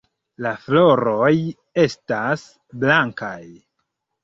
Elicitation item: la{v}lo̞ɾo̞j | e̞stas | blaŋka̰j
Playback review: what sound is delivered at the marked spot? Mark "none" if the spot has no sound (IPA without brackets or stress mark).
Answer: f